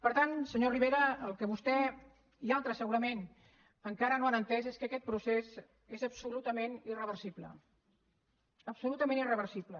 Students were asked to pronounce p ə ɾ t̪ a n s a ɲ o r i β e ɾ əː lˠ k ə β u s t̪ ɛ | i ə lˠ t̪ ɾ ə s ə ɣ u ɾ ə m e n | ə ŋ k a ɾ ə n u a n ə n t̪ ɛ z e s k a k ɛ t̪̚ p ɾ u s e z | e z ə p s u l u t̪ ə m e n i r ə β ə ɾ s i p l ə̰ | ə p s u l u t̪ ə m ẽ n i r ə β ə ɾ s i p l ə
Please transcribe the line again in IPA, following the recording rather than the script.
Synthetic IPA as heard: p ə ɾ t̪ a n s ə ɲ o r i β e ɾ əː lˠ k ə β u s t̪ ɛ | i a lˠ t̪ ɾ ə s ə ɣ u ɾ ə m e n | ə ŋ k a ɾ ə n o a n ə n t̪ ɛ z e s k ə k ɛ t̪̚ p ɾ u s e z | e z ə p s u l u t̪ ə m e n i r ə β ə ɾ s i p l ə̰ | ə p s u l u t̪ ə m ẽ n i r ə β ə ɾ s i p l ə